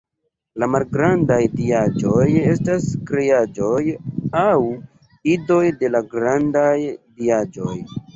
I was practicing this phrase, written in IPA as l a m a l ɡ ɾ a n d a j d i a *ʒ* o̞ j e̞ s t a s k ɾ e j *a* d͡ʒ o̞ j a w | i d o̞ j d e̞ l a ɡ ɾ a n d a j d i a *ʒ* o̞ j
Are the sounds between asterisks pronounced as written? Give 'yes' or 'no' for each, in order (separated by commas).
no, yes, no